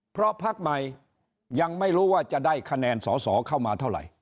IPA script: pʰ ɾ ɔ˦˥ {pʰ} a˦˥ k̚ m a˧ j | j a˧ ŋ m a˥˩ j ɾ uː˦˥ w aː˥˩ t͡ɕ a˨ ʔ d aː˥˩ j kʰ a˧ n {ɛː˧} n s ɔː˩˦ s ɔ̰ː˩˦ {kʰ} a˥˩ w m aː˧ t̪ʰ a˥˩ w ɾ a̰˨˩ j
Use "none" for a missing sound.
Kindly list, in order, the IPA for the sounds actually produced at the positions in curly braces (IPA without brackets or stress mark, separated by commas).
pʰ, ɛː˧, kʰ